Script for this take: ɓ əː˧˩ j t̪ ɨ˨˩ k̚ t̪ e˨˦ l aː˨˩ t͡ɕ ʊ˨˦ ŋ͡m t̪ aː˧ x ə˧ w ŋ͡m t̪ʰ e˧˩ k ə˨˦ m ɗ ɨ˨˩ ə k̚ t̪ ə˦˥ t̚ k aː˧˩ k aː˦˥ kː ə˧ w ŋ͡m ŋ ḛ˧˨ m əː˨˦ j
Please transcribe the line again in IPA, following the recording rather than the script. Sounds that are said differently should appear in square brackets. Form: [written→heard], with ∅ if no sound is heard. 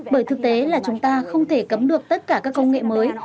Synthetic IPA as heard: ɓ əː˧˩ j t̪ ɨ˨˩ k̚ t̪ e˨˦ l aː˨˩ t͡ɕ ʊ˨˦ ŋ͡m t̪ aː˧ x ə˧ w ŋ͡m t̪ʰ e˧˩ k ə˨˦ m ɗ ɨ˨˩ ə k̚ t̪ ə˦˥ t̚ k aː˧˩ k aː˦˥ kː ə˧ w ŋ͡m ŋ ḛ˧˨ m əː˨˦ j